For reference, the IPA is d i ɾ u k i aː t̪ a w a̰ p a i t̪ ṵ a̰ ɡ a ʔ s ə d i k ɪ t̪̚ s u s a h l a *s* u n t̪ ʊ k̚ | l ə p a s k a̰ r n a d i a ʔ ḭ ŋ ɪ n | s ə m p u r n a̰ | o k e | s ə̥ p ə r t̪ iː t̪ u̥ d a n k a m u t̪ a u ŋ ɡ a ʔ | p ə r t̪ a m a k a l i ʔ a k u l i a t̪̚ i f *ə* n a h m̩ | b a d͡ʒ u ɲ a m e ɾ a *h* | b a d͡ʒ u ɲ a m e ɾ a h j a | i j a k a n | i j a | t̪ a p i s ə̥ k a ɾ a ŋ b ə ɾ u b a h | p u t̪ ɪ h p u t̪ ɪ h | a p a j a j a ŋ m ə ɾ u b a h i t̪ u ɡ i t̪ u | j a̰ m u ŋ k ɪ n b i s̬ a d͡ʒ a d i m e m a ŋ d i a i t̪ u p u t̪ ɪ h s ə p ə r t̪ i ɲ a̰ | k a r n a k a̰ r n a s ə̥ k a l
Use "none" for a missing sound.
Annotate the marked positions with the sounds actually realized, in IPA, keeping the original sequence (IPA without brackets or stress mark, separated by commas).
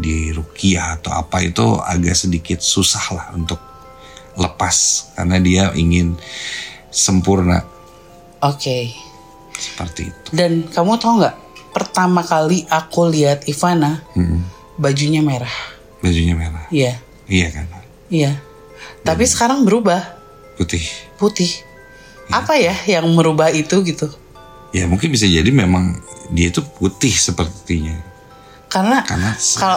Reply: h, a, h